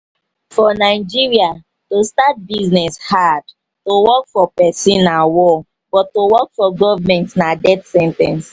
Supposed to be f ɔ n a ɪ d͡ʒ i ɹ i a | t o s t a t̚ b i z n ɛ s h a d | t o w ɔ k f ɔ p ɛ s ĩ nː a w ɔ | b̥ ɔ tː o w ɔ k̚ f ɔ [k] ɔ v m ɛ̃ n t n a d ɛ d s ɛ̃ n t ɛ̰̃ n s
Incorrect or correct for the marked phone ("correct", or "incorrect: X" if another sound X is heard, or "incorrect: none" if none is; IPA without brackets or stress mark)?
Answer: incorrect: ɡ